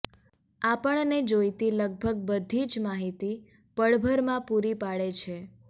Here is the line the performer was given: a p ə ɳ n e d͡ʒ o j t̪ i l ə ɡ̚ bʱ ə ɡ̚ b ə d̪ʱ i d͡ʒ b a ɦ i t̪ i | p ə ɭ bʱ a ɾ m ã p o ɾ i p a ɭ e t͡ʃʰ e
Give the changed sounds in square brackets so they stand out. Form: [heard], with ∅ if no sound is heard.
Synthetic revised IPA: a p ə ɳ n e d͡ʒ o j t̪ i l ə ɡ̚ bʱ ə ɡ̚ b ə d̪ʱ i d͡ʒ [m] a ɦ i t̪ i | p ə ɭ bʱ [ə] ɾ m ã p [u] ɾ i p a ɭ e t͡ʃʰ e